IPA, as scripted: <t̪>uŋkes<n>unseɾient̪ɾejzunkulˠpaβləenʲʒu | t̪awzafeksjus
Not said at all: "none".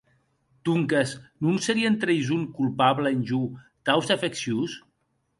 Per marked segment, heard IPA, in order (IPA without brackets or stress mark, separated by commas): t̪, n